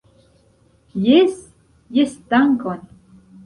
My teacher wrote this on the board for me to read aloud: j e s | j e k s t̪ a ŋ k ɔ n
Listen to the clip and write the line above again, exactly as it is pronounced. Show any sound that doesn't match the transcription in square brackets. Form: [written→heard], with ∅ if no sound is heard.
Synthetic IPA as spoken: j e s | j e [k→∅] s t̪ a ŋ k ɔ n